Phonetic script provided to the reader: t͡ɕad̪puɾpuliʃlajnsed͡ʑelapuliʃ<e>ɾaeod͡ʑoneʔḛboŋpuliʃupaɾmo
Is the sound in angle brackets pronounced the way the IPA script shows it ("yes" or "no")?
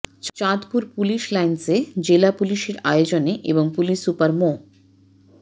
yes